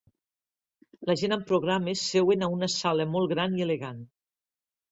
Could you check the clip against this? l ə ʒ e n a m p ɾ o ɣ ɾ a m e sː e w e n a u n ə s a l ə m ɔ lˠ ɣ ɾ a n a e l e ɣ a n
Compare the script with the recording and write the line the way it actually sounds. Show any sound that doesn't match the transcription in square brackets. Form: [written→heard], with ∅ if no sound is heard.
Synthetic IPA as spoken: l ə ʒ e n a m p ɾ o ɣ ɾ a m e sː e w e n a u n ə s a l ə m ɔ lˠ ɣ ɾ a n [a→i] e l e ɣ a n